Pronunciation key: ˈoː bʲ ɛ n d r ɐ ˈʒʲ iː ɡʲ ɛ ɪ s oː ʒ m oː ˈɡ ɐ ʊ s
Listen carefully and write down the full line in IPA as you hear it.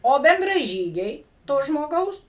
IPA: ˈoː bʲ ɛ n d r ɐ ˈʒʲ iː ɡʲ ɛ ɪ t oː ʒ m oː ˈɡ ɐ ʊ s